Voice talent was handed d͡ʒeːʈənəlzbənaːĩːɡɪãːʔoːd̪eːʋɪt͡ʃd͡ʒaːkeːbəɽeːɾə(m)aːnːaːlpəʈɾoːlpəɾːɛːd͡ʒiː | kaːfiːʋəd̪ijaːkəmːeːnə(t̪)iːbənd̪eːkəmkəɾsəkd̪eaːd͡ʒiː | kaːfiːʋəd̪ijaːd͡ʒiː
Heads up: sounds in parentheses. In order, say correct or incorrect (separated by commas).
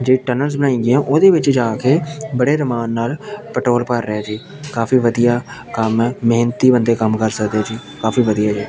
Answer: correct, correct